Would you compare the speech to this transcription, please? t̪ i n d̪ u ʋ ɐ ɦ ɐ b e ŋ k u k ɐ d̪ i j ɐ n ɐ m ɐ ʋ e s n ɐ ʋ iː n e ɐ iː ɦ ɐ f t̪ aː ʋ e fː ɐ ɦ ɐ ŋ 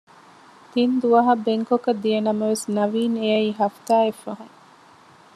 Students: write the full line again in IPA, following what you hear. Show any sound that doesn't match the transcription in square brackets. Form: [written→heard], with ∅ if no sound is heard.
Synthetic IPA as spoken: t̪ i n d̪ u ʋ ɐ ɦ ɐ b e ŋ k [u→o] k ɐ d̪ i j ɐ n ɐ m ɐ ʋ e s n ɐ ʋ iː n e ɐ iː ɦ ɐ f t̪ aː [ʋ→∅] e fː ɐ ɦ ɐ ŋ

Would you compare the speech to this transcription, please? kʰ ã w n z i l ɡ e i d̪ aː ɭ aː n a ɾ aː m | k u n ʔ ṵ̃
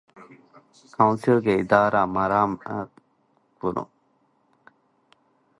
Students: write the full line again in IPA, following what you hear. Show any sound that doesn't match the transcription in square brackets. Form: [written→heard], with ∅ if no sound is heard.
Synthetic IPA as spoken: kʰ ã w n [z→s] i l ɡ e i d̪ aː [ɭ→ɾ] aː [n→m] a ɾ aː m | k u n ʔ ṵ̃

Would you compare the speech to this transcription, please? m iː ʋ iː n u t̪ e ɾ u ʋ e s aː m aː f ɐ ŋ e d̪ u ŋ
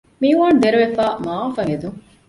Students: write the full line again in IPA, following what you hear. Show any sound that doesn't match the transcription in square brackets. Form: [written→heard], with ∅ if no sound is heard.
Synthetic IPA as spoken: m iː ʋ [iː→aː] n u [t̪→d̪] e ɾ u ʋ e [s→f] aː m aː f ɐ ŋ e d̪ u ŋ

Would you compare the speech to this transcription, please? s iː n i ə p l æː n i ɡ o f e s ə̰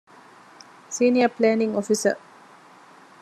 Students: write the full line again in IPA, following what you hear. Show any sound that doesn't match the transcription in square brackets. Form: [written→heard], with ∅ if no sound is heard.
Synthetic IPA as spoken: s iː n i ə p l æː n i [ɡ→ŋ] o f [e→i] s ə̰

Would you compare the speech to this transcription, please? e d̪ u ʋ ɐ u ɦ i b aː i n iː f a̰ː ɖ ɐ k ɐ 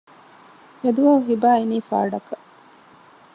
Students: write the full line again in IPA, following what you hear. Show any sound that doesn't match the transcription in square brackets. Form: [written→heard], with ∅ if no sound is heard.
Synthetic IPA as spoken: e d̪ u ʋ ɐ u ɦ i b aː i n iː f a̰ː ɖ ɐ k ɐ

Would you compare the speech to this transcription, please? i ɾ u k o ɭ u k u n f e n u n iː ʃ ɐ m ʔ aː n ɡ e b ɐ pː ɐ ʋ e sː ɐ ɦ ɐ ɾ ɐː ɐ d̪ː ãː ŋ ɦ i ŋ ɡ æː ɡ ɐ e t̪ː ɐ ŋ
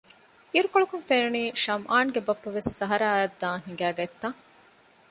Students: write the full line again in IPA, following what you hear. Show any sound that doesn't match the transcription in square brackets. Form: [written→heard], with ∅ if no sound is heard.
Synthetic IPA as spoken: i ɾ u k o ɭ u k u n f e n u n iː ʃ ɐ m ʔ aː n ɡ e b ɐ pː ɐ ʋ e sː ɐ ɦ ɐ ɾ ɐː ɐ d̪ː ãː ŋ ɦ i ŋ ɡ æː ɡ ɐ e t̪ː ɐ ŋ

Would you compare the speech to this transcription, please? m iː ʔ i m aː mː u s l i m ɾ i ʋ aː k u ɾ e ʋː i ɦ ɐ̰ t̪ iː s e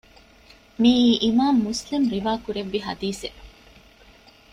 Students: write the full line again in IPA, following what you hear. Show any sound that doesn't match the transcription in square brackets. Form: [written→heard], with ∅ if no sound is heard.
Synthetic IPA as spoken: m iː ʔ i m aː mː u s l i m ɾ i ʋ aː k u ɾ e ʋː i ɦ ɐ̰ [t̪→d̪] iː s e

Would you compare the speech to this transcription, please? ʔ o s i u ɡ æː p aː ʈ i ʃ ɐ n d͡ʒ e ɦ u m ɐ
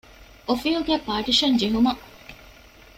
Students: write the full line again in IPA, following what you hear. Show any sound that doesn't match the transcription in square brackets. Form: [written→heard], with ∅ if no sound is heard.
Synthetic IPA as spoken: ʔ o [s→f] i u ɡ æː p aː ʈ i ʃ ɐ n d͡ʒ e ɦ u m ɐ

